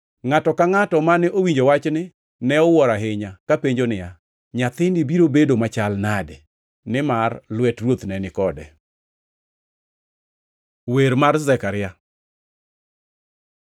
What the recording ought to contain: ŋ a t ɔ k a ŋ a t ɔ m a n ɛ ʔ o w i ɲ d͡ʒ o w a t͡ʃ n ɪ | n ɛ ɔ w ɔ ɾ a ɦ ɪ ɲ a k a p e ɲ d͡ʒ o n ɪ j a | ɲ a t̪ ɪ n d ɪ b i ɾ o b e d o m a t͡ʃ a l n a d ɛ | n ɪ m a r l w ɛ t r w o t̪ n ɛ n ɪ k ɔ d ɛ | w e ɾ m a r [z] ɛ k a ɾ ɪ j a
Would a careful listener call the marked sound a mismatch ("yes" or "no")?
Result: no